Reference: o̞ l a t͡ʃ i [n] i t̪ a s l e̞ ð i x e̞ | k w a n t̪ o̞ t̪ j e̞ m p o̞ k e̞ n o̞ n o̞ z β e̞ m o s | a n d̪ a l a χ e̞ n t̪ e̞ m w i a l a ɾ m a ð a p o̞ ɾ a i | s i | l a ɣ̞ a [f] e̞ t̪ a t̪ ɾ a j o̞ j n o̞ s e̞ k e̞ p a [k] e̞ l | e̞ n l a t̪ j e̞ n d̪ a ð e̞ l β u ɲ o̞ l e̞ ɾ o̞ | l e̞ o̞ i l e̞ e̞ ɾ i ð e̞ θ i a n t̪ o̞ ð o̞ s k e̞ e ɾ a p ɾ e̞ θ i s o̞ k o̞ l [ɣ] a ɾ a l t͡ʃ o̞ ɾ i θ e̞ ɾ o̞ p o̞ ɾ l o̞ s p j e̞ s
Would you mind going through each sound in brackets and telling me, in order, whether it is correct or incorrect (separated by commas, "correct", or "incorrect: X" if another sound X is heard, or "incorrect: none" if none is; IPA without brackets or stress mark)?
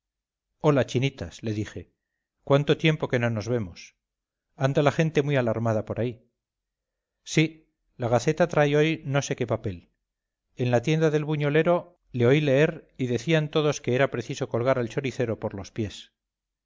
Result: correct, incorrect: θ, incorrect: p, correct